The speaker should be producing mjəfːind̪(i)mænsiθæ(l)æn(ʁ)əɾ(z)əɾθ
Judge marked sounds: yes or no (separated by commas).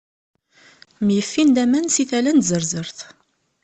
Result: no, yes, no, yes